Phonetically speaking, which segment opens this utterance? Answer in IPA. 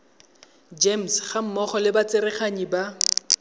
d͡ʒ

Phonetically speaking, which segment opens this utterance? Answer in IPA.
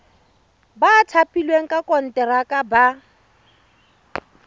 b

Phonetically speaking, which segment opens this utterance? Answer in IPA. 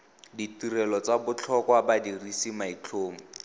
d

